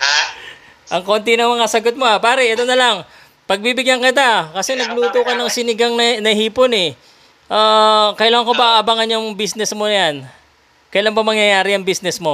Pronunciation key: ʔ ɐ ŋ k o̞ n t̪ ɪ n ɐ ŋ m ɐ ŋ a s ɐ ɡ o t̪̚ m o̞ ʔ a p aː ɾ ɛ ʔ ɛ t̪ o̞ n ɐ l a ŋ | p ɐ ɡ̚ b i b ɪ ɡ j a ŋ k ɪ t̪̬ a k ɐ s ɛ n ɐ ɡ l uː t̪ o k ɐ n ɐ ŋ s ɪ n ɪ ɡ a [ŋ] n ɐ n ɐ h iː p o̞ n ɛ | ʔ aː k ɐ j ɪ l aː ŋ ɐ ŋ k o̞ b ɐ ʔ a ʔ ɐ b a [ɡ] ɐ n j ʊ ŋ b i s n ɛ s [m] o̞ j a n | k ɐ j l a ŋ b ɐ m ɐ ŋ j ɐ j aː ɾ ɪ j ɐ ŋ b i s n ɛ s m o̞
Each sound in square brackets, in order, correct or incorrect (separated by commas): correct, incorrect, correct